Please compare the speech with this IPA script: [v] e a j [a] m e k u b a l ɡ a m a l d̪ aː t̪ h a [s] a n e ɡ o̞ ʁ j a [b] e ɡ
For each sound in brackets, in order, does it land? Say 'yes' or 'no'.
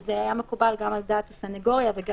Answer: no, yes, yes, no

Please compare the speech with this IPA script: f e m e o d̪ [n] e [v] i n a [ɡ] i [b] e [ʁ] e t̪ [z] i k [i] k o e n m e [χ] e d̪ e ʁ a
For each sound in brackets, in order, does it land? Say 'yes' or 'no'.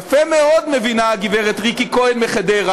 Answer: no, yes, yes, no, yes, no, yes, yes

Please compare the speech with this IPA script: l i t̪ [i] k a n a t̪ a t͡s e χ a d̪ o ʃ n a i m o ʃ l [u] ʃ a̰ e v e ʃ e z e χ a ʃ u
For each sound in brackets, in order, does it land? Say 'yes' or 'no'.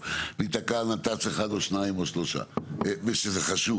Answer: no, no

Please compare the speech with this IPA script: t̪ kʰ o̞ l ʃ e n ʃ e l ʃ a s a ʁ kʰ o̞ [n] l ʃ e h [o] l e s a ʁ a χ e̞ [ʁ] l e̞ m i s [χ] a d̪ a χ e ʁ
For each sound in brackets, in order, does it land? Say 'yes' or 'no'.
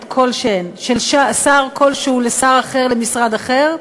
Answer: no, no, yes, no

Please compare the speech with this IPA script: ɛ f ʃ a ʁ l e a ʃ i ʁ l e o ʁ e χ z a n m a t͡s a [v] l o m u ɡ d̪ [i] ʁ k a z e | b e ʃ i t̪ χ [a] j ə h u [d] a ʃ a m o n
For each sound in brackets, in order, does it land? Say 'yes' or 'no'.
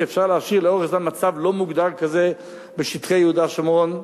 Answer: yes, no, no, yes

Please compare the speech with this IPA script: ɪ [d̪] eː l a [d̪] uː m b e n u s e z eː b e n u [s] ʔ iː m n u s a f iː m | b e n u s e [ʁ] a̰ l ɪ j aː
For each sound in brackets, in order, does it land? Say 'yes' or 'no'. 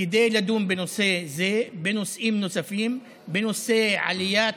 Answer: yes, yes, yes, no

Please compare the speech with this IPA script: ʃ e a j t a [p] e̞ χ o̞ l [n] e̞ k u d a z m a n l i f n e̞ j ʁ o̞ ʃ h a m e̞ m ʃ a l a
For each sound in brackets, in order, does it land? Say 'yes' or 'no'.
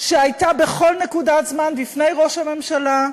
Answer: no, yes

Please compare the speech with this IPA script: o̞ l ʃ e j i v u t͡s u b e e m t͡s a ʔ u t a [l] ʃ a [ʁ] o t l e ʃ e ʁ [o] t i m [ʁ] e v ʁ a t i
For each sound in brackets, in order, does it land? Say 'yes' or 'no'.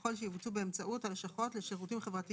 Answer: yes, no, no, no

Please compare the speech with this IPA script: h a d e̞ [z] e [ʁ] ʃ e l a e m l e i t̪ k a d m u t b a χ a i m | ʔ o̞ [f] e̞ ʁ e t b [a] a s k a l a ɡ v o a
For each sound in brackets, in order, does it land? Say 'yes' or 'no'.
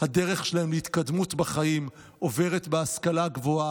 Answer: no, no, no, no

